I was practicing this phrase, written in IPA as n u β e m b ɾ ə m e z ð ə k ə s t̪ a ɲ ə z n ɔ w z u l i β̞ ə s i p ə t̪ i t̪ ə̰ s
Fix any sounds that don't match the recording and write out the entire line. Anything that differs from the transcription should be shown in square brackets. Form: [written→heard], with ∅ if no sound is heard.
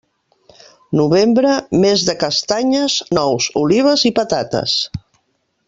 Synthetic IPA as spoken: n u β e m b ɾ ə m e z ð ə k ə s t̪ a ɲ ə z n ɔ w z u l i β̞ ə [s→z] i p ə t̪ [i→a] t̪ ə̰ s